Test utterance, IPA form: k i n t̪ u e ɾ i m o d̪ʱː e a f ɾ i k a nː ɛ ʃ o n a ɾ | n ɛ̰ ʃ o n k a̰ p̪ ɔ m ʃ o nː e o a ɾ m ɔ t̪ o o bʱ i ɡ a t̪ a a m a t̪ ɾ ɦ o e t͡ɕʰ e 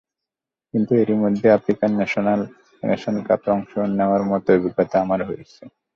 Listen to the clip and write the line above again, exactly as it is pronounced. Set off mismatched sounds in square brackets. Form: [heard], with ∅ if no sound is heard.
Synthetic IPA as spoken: k i n t̪ u e ɾ i m o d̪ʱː e a f ɾ i k a nː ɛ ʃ o n a [l] | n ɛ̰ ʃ o n k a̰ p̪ ɔ [ŋ] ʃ o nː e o a ɾ m ɔ t̪ o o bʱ i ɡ a t̪ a a m a [∅] ɾ ɦ o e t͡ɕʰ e